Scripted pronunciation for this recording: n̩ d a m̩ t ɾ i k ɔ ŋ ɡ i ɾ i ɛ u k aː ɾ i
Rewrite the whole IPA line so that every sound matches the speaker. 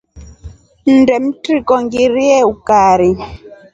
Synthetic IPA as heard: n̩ d ɛ m̩ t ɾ i k ɔ ŋ ɡ i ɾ i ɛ u k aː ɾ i